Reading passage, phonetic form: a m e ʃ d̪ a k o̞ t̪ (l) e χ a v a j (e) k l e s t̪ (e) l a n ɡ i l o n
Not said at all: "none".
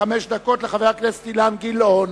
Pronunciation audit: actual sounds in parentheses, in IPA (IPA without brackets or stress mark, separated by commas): l, a, i